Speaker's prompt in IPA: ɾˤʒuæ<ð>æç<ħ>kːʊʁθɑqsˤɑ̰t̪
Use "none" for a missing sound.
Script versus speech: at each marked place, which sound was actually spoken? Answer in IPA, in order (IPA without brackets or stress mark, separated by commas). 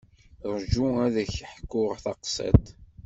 ð, ħ